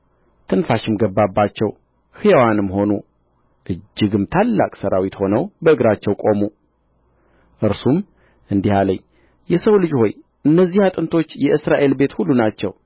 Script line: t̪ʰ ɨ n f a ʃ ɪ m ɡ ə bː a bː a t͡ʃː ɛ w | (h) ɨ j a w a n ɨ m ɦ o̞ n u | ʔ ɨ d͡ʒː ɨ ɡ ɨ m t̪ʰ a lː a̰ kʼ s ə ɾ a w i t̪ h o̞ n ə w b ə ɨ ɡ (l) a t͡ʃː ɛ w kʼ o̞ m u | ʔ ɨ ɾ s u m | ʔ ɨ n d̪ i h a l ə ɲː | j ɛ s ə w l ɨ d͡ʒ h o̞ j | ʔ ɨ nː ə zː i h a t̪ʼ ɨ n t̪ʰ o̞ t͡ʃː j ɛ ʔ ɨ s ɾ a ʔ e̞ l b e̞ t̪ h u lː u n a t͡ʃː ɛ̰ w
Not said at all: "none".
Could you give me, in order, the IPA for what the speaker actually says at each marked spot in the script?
h, ɾ

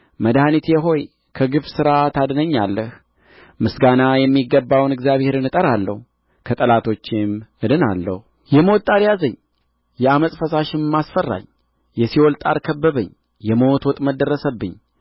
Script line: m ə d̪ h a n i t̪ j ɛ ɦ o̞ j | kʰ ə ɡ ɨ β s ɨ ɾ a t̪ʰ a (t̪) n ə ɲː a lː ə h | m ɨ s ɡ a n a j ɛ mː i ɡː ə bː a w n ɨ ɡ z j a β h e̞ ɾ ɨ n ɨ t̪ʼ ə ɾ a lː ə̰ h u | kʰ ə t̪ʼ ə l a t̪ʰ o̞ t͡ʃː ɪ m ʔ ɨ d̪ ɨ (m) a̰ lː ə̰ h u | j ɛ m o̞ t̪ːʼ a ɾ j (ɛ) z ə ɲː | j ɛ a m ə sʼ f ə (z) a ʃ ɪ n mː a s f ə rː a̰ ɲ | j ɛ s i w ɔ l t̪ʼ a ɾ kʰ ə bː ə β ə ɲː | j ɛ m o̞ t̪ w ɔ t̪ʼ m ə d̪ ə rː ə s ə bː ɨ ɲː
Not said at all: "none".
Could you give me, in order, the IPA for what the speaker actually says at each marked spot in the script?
d̪, n, a, s

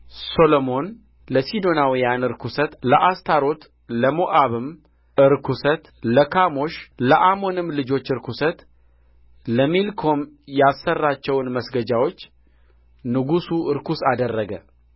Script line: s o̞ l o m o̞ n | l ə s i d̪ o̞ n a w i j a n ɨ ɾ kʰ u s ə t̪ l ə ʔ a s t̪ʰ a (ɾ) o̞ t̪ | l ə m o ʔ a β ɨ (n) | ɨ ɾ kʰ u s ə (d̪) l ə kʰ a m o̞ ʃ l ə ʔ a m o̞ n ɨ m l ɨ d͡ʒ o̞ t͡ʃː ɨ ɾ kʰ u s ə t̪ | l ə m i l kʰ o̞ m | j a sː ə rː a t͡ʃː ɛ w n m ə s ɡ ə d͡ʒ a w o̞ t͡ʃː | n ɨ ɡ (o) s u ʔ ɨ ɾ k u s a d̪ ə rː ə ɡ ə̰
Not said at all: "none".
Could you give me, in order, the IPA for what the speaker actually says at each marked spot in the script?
ɾ, m, t̪, u

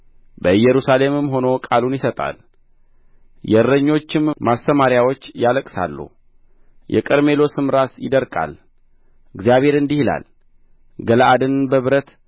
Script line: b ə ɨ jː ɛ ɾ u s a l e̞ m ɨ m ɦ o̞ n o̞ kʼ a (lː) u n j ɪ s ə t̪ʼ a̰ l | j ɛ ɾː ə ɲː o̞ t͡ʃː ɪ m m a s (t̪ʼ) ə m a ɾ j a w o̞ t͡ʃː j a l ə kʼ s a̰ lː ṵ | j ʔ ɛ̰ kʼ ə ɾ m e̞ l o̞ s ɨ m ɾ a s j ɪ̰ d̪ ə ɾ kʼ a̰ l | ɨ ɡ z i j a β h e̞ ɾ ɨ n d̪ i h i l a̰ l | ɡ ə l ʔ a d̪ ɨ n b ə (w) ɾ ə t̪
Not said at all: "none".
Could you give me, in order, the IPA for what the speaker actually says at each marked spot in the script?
l, t̪, β

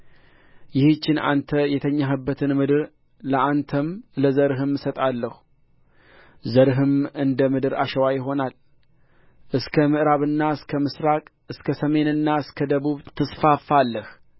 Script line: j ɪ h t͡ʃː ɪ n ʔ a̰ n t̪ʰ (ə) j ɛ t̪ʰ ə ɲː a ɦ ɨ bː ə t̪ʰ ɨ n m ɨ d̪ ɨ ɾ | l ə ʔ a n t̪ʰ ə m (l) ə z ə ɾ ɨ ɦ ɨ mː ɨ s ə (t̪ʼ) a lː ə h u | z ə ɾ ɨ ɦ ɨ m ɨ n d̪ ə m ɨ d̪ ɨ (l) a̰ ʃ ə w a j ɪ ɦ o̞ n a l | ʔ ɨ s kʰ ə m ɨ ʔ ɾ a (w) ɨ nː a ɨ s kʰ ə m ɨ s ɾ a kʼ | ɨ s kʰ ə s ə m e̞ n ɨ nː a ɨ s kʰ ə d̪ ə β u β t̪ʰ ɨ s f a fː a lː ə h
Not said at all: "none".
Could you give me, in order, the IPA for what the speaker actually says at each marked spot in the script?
ə, l, t̪ʼ, ɾ, β

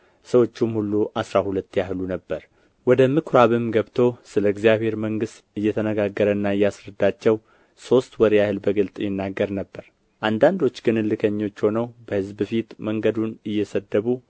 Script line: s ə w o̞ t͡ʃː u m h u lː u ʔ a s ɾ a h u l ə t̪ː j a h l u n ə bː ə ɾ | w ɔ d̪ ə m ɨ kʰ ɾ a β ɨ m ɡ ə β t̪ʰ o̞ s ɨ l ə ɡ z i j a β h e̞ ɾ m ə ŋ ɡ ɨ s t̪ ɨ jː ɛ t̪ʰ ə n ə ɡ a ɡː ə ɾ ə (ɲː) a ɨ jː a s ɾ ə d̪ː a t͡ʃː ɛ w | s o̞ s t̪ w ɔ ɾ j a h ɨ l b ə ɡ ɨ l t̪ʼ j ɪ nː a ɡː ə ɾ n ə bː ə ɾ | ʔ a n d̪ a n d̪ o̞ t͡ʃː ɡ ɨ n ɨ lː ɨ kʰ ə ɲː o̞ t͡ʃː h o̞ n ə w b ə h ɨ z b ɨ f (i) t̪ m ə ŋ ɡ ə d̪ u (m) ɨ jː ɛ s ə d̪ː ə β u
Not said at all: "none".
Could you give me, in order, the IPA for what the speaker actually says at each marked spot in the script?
nː, i, n

